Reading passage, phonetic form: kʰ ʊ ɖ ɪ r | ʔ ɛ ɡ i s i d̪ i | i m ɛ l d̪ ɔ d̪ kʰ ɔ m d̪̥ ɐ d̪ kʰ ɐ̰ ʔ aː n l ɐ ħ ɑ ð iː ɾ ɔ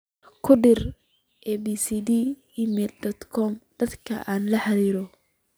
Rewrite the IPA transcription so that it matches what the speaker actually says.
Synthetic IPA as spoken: kʰ ʊ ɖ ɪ r | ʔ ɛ b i s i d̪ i | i m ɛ l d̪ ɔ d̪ kʰ ɔ m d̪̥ ɐ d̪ kʰ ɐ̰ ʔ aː n l ɐ ħ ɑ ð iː ɾ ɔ